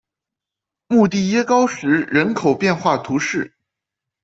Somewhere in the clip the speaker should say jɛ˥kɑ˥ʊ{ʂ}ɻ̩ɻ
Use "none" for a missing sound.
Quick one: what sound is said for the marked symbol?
ʂ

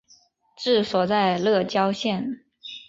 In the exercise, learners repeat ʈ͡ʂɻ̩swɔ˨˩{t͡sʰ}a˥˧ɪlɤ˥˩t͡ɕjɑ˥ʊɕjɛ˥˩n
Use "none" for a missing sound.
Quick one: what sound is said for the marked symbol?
t͡s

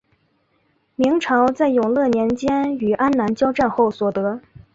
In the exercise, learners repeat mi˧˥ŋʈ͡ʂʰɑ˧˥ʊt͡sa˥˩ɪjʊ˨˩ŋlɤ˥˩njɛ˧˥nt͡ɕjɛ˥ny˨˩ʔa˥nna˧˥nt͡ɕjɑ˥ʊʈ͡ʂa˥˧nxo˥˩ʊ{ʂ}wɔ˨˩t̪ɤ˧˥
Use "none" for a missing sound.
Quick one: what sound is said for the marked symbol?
s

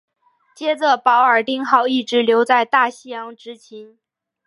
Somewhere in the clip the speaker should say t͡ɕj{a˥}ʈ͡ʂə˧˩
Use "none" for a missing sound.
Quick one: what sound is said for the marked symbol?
ɛ˥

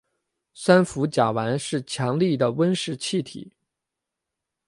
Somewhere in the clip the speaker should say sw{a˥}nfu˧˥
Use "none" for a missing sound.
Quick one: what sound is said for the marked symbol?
a˥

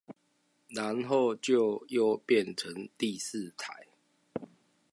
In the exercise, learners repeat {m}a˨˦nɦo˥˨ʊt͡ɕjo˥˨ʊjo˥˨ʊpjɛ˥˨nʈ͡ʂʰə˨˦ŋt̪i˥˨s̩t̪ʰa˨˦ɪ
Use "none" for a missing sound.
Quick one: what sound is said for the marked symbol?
n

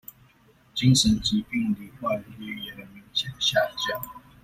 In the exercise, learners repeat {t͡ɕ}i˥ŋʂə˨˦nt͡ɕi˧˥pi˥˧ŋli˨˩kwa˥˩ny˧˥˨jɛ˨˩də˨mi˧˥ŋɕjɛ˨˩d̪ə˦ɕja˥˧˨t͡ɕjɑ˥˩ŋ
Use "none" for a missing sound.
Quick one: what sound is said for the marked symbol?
t͡ɕ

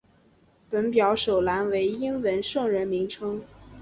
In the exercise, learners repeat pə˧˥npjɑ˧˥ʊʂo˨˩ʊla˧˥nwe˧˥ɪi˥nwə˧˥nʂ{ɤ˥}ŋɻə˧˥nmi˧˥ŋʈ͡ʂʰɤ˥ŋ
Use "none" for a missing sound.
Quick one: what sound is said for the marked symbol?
ɤ˥˩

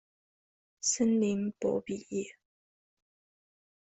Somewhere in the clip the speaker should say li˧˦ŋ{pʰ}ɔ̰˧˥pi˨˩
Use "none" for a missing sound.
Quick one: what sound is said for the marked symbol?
p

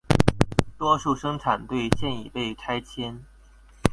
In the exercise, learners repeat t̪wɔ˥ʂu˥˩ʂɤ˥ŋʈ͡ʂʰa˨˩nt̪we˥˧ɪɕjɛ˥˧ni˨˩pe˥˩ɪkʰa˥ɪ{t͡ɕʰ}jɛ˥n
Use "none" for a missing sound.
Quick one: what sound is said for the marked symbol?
t͡ɕʰ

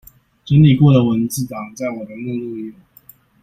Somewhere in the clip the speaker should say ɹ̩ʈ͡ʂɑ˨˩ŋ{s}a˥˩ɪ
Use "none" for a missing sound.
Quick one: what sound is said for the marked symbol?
t͡s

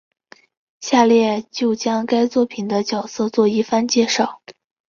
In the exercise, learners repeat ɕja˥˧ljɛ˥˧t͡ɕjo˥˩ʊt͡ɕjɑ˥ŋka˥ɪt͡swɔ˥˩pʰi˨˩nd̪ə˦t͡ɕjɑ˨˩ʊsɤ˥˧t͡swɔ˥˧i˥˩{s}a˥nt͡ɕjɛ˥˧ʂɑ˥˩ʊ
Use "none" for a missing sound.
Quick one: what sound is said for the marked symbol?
f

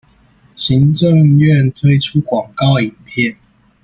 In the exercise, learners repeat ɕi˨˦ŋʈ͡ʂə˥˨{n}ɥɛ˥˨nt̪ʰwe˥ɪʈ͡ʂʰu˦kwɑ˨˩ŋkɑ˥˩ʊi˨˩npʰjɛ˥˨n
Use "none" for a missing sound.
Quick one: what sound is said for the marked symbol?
ŋ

